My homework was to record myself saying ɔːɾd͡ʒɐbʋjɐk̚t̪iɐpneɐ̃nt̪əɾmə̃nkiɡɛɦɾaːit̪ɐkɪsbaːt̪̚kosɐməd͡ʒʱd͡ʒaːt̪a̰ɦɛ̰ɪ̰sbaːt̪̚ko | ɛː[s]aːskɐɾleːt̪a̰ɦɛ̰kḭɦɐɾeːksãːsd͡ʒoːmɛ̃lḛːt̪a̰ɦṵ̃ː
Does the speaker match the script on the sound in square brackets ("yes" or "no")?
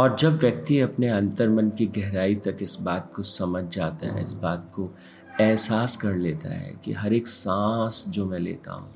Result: yes